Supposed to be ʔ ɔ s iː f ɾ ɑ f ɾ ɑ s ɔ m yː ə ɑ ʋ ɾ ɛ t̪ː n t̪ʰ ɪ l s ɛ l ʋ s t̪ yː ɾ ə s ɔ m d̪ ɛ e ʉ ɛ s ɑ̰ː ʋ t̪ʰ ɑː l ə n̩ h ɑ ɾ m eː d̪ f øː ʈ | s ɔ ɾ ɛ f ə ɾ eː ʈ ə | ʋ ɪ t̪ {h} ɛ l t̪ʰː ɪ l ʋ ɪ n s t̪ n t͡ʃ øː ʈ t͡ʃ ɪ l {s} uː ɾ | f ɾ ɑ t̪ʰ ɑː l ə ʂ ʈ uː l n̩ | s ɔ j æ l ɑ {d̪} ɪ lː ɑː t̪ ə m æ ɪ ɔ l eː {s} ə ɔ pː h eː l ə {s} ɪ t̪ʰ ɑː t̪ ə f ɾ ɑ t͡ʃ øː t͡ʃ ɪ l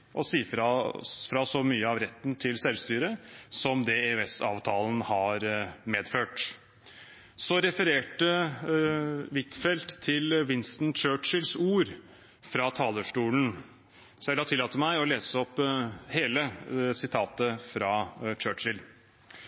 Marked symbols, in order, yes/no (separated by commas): no, yes, no, yes, yes